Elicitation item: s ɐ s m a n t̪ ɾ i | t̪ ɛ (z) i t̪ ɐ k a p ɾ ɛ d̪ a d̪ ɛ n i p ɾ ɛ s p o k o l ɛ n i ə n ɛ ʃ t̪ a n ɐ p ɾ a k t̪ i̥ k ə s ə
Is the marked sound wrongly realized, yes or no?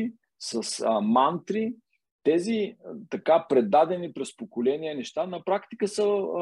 no